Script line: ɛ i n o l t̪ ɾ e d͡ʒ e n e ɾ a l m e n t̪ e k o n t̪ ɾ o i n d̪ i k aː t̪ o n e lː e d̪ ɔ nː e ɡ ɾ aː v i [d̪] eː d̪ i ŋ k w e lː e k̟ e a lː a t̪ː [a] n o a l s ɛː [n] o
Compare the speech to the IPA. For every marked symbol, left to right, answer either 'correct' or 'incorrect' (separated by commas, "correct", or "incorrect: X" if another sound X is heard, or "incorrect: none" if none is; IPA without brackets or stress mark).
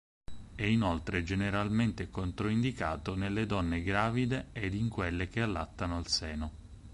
correct, correct, correct